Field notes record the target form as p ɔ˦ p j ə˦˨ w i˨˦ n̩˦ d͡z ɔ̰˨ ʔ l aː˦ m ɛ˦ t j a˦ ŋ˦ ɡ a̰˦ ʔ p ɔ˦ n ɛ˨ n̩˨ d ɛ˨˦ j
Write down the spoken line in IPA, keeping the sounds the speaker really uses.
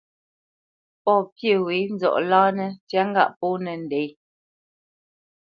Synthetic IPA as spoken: p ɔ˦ p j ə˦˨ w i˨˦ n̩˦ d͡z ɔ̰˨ ʔ l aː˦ n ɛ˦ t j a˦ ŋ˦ ɡ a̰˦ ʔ p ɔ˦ n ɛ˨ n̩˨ d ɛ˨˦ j